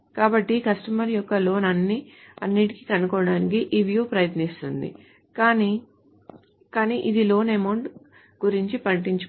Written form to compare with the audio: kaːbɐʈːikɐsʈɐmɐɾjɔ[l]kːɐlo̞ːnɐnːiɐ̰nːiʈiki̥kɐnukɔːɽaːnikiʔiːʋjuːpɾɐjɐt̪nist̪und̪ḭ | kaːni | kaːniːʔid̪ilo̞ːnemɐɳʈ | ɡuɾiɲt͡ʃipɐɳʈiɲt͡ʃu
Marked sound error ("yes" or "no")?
yes